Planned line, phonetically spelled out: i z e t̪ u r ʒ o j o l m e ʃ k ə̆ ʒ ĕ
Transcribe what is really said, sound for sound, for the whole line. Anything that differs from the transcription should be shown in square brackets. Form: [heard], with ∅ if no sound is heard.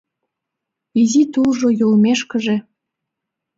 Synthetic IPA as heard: i z [i] t̪ u [l] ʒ o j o l m e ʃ k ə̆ ʒ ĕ

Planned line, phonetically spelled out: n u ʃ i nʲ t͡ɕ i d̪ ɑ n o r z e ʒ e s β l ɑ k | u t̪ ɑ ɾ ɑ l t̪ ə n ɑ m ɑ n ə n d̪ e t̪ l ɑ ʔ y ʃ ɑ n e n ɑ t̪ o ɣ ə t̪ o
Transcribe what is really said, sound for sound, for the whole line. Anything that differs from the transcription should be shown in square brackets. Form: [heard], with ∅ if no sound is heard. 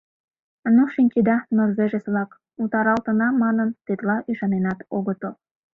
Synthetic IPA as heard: n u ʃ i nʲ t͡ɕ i d̪ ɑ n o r z e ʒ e s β l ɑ k | u t̪ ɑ ɾ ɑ l t̪ ə n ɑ m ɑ n ə n [t̪] e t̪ l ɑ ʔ y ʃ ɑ n e n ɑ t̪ o ɣ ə t̪ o

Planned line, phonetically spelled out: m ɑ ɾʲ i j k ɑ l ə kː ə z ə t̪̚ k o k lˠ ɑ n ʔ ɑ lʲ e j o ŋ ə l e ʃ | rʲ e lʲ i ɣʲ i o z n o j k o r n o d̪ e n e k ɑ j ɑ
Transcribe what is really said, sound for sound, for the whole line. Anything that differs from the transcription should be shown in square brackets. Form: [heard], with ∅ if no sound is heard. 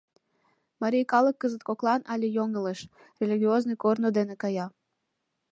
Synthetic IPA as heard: m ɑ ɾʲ i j k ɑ l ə kː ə z ə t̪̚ k o k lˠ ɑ n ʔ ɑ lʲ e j o ŋ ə l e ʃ | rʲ e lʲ i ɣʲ i o z n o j k o r n o d̪ e n e k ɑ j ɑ

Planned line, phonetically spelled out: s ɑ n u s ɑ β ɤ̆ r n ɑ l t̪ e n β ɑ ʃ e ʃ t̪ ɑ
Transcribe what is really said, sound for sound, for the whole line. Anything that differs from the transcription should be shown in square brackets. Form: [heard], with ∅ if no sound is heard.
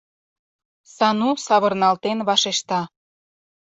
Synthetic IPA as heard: s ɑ n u s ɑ β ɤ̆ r n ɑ l t̪ e n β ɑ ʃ e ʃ t̪ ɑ

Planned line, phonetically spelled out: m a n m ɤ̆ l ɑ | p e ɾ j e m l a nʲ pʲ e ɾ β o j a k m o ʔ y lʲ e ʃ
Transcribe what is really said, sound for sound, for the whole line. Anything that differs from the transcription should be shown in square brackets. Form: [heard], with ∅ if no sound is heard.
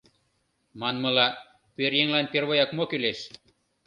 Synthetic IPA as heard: m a n m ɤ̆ l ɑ | p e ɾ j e [ŋ] l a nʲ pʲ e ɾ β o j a k m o [k] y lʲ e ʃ

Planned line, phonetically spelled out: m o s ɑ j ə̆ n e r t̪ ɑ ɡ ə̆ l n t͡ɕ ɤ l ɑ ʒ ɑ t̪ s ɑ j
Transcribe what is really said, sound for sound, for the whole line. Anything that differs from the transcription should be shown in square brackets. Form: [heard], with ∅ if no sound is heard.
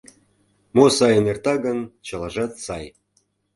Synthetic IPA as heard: m o s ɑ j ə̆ n e r t̪ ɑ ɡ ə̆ [∅] n t͡ɕ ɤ l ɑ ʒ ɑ t̪ s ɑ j

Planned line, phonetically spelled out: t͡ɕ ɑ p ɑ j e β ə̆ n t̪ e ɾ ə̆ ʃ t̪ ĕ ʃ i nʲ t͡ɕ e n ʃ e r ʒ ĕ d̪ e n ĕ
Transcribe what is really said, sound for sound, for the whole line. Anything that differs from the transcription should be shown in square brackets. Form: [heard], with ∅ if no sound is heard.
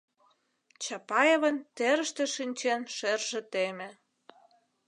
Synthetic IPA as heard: t͡ɕ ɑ p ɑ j e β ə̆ n t̪ e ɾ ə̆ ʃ t̪ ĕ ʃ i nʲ t͡ɕ e n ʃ e r ʒ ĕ [t̪] e [m] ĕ

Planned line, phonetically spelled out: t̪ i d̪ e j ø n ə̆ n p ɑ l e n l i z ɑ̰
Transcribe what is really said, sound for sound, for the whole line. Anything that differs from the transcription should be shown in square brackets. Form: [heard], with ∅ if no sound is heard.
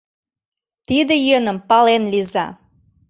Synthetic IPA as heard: t̪ i d̪ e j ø n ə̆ [m] p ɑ l e n l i z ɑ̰

